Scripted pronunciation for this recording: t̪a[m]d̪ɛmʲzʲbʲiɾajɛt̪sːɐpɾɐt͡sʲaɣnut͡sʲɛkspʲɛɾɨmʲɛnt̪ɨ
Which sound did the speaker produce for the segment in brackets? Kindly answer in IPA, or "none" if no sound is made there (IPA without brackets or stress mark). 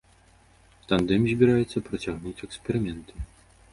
n